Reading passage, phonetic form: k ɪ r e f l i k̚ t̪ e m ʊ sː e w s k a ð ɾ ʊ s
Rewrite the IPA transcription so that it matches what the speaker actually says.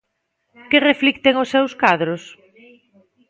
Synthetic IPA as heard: k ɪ r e f l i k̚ t̪ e ŋ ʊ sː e w s k a ð ɾ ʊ s